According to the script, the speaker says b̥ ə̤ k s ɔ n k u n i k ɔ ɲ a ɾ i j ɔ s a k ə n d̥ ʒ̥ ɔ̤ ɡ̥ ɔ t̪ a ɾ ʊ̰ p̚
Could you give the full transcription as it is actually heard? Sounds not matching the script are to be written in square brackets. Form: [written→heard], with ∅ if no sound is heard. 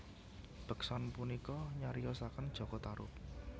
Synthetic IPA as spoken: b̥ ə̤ k s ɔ n [k→p] u n i k ɔ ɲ a ɾ i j ɔ s a k ə n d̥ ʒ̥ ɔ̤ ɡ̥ ɔ t̪ a ɾ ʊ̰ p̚